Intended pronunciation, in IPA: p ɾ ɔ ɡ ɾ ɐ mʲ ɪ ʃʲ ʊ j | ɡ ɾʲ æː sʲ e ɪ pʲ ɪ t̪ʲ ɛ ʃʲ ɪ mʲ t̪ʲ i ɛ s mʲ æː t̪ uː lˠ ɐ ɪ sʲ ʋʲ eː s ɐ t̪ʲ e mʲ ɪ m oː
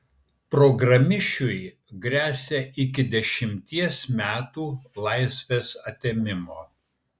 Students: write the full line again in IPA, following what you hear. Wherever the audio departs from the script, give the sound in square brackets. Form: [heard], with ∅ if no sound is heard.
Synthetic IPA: p ɾ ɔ ɡ ɾ ɐ mʲ ɪ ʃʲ ʊ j | ɡ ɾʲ æː sʲ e ɪ [kʲ] ɪ [d̪ʲ] ɛ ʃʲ ɪ mʲ t̪ʲ i ɛ s mʲ æː t̪ uː lˠ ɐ ɪ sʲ ʋʲ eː s ɐ t̪ʲ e mʲ ɪ m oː

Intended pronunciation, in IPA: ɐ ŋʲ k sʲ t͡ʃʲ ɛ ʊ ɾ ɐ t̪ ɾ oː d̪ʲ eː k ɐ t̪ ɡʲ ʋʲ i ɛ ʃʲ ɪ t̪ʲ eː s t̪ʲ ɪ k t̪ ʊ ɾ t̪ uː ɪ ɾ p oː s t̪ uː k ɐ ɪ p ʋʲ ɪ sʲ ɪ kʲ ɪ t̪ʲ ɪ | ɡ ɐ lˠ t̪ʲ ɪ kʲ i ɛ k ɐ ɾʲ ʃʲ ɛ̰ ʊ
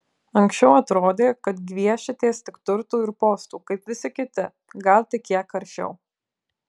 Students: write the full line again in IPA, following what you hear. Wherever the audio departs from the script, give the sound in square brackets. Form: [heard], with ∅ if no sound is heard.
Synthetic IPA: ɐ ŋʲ k sʲ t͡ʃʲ ɛ ʊ [∅] ɐ t̪ ɾ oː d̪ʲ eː k ɐ t̪ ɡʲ ʋʲ i ɛ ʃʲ ɪ t̪ʲ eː s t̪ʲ ɪ k t̪ ʊ ɾ t̪ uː ɪ ɾ p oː s t̪ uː k ɐ ɪ p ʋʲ ɪ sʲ ɪ kʲ ɪ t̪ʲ ɪ | ɡ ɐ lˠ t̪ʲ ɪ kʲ i ɛ k ɐ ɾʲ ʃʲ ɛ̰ ʊ

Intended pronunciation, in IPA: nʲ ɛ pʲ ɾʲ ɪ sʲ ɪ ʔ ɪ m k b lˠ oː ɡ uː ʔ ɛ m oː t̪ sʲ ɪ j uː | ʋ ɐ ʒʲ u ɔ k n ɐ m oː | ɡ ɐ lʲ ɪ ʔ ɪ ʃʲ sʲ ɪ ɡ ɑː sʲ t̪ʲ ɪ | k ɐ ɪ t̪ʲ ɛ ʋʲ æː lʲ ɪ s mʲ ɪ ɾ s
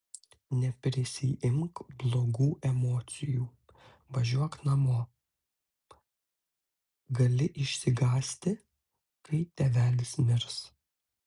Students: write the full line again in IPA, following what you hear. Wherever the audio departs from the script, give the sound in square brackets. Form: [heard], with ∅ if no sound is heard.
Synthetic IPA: nʲ ɛ pʲ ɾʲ ɪ sʲ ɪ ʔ ɪ m k b lˠ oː ɡ uː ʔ ɛ m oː t̪ sʲ ɪ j uː | ʋ ɐ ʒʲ u ɔ k n ɐ m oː | ɡ ɐ lʲ ɪ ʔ ɪ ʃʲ sʲ ɪ ɡ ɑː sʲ t̪ʲ ɪ | k ɐ ɪ t̪ʲ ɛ ʋʲ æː lʲ ɪ s mʲ ɪ ɾ s

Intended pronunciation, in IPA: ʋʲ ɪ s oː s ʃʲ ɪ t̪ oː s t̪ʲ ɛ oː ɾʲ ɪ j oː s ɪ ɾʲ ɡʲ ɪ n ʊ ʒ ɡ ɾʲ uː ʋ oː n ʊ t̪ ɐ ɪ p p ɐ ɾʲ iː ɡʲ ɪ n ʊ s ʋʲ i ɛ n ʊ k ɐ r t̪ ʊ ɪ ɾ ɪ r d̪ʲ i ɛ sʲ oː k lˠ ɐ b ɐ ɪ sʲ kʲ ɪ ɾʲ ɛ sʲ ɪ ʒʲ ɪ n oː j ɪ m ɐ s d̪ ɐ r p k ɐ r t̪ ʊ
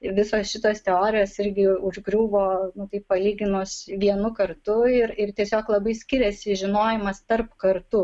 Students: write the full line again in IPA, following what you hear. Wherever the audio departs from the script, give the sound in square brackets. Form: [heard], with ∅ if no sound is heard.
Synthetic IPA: ʋʲ ɪ s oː s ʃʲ ɪ t̪ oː s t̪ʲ ɛ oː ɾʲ ɪ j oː s ɪ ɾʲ ɡʲ ɪ [∅] ʊ ʒ ɡ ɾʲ uː ʋ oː n ʊ t̪ ɐ ɪ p p ɐ [lʲ] iː ɡʲ ɪ n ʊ s ʋʲ i ɛ n ʊ k ɐ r t̪ ʊ ɪ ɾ ɪ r [t̪ʲ] i ɛ sʲ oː k lˠ ɐ b ɐ ɪ sʲ kʲ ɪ ɾʲ ɛ sʲ ɪ ʒʲ ɪ n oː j ɪ m ɐ s [t̪] ɐ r p k ɐ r t̪ ʊ

